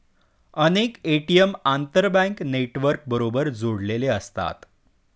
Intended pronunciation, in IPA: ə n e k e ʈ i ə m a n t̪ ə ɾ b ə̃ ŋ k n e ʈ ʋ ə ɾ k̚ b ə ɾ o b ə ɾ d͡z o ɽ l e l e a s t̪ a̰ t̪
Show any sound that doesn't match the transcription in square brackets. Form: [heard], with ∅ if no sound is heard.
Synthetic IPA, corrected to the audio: ə n e k e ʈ i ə m a n t̪ ə ɾ b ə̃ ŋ k n e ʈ ʋ ə ɾ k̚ b ə ɾ o b ə ɾ d͡z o ɽ l e l e [ə] s t̪ a̰ t̪